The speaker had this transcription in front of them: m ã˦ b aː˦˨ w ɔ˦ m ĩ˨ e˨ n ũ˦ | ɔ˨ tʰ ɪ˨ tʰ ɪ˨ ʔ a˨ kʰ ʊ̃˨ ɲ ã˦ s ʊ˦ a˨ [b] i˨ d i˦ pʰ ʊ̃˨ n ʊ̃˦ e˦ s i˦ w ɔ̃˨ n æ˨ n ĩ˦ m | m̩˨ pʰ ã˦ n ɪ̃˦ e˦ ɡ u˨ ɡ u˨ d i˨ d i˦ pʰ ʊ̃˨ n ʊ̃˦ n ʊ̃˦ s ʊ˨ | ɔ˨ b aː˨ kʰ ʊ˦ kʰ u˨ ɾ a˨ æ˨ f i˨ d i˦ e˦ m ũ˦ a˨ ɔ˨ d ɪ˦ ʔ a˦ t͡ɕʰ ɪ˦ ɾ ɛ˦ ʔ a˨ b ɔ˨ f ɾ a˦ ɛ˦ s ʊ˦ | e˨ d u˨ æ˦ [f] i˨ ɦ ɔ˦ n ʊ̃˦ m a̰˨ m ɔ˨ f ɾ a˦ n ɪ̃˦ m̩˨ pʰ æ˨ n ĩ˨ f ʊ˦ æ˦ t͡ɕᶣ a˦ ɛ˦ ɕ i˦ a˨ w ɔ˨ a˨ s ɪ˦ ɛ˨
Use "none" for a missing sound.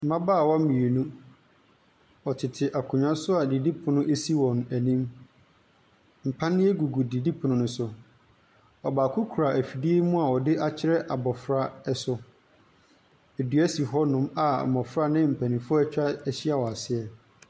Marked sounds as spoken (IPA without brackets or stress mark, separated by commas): d, s